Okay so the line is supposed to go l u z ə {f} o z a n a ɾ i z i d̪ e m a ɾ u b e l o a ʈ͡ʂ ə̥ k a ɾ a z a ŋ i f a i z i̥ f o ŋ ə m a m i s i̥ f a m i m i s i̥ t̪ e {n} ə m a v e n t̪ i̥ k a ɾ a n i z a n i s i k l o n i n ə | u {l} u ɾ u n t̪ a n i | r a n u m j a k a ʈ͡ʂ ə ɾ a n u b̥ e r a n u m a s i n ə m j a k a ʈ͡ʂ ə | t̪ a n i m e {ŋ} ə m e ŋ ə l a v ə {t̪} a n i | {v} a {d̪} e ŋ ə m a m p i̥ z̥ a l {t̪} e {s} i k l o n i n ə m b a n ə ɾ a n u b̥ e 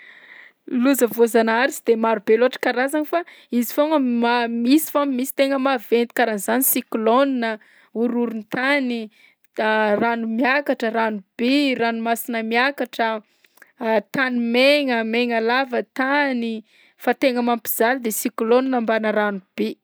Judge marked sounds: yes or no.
no, no, no, yes, yes, no, no, no, yes

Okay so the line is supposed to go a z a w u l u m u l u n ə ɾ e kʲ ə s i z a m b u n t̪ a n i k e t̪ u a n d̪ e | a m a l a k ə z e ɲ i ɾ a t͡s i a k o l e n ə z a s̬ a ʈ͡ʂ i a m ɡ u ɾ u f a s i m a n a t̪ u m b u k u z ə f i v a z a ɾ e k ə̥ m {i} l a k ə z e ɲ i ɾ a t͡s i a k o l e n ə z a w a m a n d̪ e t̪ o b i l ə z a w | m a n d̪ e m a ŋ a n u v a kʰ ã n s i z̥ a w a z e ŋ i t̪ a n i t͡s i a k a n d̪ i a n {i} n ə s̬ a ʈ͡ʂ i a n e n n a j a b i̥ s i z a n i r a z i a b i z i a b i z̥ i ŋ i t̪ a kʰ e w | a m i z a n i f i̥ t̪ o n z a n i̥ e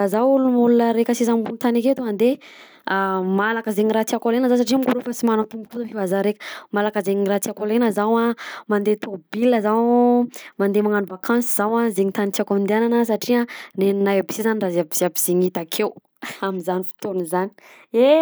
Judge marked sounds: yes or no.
no, no

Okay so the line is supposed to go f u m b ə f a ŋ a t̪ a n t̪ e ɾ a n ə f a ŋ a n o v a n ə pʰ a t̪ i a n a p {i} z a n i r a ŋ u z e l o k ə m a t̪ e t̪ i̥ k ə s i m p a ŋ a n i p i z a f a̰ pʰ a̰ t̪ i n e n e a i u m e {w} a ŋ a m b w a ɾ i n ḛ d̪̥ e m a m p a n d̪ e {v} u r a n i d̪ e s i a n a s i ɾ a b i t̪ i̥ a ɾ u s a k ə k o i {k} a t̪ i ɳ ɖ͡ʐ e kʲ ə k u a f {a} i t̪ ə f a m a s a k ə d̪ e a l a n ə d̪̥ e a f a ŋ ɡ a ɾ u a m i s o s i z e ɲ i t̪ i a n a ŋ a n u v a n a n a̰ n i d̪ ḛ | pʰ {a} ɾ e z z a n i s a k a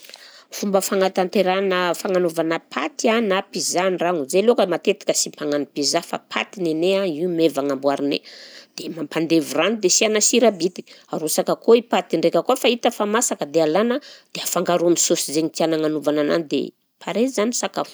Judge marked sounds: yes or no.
yes, no, yes, no, yes, yes

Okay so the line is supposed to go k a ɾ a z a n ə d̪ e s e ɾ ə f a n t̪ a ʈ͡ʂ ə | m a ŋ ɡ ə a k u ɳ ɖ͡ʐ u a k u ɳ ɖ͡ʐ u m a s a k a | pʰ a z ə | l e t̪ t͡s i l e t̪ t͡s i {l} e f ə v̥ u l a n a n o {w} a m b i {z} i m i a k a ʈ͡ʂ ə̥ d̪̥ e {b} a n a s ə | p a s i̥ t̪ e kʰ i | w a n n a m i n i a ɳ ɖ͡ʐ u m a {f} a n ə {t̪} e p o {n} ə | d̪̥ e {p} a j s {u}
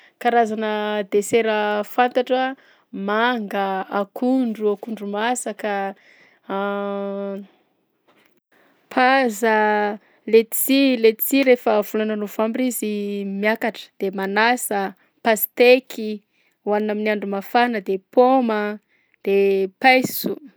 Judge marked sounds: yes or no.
no, no, yes, no, yes, no, no, yes, yes

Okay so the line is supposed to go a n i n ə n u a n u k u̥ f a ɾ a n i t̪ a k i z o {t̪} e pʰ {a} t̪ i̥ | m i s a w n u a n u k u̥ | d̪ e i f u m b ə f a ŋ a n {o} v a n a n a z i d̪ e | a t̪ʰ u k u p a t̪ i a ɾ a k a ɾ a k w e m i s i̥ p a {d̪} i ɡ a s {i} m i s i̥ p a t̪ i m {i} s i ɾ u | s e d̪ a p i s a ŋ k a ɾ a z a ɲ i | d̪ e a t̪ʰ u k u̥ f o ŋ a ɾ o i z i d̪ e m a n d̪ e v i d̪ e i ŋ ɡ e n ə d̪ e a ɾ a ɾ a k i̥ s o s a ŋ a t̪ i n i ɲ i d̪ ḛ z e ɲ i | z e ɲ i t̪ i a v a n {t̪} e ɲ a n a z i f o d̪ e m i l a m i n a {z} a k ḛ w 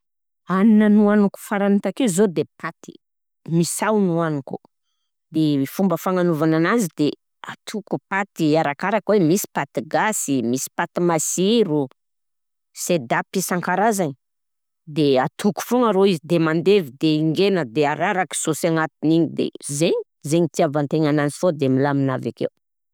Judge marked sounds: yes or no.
no, yes, no, no, yes, no, yes, no

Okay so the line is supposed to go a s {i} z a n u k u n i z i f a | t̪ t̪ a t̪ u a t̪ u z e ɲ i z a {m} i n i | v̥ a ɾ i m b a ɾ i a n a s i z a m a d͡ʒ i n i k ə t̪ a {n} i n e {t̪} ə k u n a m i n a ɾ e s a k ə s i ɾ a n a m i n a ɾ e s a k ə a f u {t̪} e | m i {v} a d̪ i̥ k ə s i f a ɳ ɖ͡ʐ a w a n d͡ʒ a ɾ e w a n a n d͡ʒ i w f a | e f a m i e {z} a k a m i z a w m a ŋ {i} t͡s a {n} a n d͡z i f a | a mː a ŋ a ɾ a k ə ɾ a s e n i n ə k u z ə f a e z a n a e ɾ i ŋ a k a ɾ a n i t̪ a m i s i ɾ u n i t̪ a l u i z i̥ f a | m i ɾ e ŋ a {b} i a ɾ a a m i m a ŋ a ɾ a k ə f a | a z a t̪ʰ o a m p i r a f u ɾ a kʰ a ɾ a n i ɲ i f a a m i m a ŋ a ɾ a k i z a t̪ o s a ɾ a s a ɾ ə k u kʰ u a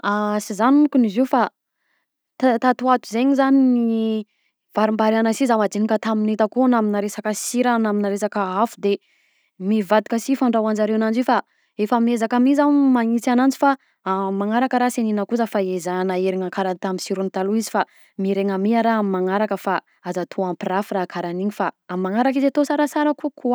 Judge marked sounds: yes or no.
yes, no, no, yes, no, yes, yes, yes, yes, no

